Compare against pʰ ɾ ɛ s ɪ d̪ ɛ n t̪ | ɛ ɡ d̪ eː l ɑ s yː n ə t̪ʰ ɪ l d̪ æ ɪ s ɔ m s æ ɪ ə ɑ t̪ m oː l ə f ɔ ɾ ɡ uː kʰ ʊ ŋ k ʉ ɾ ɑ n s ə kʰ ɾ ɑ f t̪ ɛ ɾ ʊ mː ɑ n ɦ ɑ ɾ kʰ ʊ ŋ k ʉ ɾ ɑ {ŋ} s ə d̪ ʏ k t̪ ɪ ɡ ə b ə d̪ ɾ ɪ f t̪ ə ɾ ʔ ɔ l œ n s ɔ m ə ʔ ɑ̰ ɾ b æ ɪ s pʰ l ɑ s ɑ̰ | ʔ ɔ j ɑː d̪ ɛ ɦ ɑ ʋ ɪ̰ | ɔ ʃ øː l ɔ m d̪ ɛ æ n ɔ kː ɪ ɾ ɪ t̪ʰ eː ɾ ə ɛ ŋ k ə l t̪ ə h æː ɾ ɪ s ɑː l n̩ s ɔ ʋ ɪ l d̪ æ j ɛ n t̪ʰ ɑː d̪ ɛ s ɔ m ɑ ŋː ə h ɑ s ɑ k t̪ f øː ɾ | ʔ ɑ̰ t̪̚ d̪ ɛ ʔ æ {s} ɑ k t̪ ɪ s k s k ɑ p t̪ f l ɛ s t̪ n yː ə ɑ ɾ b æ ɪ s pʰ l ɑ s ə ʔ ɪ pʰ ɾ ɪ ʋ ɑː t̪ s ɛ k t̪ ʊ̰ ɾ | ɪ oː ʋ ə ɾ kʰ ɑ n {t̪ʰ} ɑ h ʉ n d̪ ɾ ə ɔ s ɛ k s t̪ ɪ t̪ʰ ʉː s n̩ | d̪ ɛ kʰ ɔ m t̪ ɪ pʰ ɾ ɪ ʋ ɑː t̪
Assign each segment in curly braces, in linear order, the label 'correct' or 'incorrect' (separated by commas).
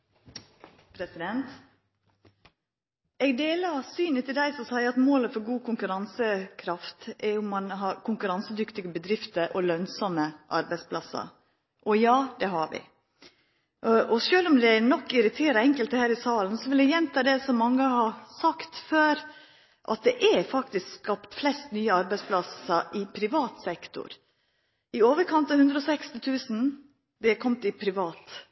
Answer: incorrect, incorrect, incorrect